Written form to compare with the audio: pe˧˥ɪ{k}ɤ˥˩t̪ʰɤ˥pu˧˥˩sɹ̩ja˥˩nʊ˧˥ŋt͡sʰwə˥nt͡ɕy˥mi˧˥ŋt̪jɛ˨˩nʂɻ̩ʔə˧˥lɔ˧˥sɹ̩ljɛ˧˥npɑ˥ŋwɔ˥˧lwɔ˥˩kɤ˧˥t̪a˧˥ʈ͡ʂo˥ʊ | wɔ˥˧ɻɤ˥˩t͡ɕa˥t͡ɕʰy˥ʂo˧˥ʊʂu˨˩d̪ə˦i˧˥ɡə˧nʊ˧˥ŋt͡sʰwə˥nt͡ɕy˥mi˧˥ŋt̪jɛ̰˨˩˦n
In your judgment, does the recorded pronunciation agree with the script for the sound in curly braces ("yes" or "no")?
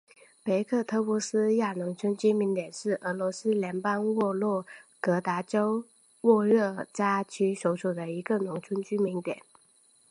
no